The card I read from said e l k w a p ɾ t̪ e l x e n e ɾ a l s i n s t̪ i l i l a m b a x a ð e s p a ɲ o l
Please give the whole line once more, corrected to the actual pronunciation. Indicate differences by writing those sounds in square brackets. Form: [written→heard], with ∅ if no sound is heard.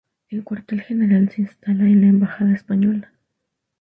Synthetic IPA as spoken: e l k w a [p→∅] ɾ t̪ e l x e n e ɾ a l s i n s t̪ [i→a] l [i→a] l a m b a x a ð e s p a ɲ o l